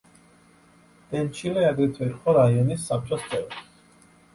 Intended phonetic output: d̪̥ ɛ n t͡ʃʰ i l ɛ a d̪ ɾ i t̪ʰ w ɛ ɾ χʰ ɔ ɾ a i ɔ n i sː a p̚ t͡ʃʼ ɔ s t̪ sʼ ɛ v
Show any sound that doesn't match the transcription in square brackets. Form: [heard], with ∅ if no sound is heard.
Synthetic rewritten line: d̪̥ ɛ n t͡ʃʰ i l ɛ a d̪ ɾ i t̪ʰ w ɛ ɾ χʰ ɔ ɾ a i ɔ n i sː a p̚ t͡ʃʼ ɔ s t̪ sʼ ɛ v